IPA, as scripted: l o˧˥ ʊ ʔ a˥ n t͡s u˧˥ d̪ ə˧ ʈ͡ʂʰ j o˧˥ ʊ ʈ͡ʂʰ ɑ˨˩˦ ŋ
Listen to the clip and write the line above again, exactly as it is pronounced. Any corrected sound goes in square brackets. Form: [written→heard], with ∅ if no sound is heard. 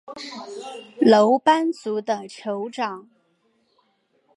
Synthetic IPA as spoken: l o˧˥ ʊ [ʔ→p] a˥ n t͡s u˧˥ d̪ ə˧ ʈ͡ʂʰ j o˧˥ ʊ [ʈ͡ʂʰ→ʈ͡ʂ] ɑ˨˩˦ ŋ